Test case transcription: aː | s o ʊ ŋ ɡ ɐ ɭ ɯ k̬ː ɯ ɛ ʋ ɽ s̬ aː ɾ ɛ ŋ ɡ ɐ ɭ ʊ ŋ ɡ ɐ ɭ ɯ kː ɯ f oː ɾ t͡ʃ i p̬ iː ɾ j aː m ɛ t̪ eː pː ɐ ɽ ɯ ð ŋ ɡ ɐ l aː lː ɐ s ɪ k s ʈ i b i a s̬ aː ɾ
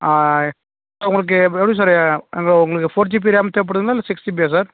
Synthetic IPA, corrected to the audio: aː | s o ʊ ŋ ɡ ɐ ɭ ɯ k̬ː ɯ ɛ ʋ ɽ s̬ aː ɾ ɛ ŋ ɡ ɐ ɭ ʊ ŋ ɡ ɐ ɭ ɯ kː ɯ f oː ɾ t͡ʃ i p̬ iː ɾ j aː m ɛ t̪ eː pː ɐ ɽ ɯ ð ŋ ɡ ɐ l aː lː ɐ s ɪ k s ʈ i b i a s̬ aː ɾ